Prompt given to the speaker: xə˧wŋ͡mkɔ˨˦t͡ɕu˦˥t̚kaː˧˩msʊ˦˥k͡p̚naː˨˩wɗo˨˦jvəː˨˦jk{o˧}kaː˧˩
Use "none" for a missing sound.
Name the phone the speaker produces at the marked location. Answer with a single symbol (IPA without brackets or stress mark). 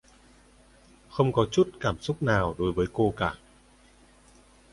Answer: o˧